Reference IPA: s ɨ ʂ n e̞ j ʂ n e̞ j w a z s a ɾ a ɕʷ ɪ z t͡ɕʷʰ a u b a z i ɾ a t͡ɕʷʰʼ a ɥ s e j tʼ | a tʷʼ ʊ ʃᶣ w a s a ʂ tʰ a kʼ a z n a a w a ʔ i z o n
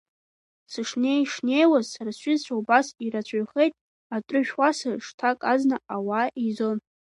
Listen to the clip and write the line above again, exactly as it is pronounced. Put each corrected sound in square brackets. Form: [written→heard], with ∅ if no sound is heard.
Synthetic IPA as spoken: s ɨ ʂ n e̞ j ʂ n e̞ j w a z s a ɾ a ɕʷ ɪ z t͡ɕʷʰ a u b a [z→s] i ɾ a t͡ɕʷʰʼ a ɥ [s→χ] e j tʼ | a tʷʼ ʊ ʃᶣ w a s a ʂ tʰ a kʼ a z n a a w a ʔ i z o n